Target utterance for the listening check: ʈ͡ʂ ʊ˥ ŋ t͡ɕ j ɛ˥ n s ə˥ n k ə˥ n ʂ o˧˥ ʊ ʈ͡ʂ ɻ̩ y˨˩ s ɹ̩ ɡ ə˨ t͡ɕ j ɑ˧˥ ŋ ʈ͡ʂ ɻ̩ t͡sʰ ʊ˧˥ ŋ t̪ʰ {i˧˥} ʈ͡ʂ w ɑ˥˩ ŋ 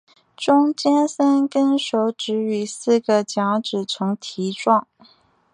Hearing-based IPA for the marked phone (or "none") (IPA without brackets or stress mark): i˧˥